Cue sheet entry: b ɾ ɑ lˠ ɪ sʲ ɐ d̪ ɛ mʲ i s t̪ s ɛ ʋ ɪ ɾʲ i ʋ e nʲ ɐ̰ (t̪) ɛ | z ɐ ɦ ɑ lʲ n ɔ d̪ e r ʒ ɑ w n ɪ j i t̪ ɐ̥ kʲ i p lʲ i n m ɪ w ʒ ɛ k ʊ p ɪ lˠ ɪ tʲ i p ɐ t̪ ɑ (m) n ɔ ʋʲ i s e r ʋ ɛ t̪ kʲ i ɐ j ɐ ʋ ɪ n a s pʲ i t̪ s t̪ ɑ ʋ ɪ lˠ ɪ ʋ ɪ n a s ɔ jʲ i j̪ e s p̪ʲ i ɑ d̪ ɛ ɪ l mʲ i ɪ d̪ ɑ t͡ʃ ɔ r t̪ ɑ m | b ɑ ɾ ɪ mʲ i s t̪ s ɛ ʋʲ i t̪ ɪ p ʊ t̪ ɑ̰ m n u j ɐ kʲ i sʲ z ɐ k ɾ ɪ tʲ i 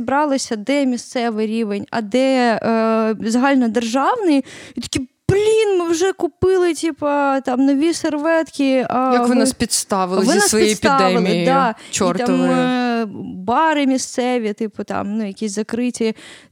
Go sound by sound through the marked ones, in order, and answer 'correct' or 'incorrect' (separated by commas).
incorrect, correct